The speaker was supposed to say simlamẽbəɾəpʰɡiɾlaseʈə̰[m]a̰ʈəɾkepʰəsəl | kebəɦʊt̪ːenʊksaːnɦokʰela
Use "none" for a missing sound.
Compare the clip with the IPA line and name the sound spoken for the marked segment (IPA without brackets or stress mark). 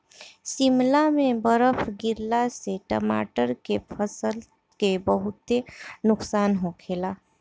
m